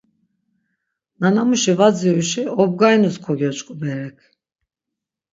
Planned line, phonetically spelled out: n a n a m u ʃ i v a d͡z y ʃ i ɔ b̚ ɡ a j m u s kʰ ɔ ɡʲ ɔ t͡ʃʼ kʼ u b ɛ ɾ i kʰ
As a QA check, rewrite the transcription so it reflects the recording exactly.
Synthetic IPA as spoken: n a n a m u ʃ i v a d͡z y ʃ i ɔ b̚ ɡ a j n u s kʰ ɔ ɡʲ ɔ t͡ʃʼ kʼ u b ɛ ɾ ɛ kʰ